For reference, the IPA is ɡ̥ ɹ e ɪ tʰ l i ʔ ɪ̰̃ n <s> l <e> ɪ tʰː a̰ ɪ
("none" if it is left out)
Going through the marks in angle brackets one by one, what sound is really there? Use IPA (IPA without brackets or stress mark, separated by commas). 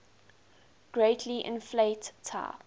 f, e